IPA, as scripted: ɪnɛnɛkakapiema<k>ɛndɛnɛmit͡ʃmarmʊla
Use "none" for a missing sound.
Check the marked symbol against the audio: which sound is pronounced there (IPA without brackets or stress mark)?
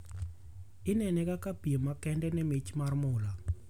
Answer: k